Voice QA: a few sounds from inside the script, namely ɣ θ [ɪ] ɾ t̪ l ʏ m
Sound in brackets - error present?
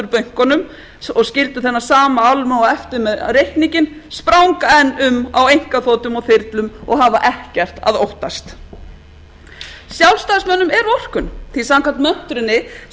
no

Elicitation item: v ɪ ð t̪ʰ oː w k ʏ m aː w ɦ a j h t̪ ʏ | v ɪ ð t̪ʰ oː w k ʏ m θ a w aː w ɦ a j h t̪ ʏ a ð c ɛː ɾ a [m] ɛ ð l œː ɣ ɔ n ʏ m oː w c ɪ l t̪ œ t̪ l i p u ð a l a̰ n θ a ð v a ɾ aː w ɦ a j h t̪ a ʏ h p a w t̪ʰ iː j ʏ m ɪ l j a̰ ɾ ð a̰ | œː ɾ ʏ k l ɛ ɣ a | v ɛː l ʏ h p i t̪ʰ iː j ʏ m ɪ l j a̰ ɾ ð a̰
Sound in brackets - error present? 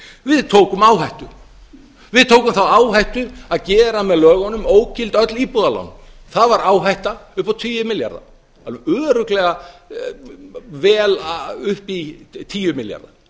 no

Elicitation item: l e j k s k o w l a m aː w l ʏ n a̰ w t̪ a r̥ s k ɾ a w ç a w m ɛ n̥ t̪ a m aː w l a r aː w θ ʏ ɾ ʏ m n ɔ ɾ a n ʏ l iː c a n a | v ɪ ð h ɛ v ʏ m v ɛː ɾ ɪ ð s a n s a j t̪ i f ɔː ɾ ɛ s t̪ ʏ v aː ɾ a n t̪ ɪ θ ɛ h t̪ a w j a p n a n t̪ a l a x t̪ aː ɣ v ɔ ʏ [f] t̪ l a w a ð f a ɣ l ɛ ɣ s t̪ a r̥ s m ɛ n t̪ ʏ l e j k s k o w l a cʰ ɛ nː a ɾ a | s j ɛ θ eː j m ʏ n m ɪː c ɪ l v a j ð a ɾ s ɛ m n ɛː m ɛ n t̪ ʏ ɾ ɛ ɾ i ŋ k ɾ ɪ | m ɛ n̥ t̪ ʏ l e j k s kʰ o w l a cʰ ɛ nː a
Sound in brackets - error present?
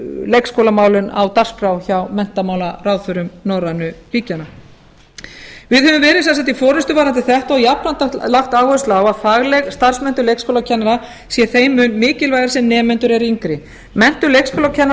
yes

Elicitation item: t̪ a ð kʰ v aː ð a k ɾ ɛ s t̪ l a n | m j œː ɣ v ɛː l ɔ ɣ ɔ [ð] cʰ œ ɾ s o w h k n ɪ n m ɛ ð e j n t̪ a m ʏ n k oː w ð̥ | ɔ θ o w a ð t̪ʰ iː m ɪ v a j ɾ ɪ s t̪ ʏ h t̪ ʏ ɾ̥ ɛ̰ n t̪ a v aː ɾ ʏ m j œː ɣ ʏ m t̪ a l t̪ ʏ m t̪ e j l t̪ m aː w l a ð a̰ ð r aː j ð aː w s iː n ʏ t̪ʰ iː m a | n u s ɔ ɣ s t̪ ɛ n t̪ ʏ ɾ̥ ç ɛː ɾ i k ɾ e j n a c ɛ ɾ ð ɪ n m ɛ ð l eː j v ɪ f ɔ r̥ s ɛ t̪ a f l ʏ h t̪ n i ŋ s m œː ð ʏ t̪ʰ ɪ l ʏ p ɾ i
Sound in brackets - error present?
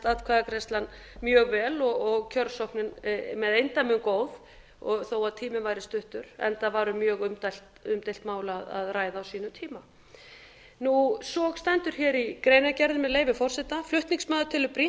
yes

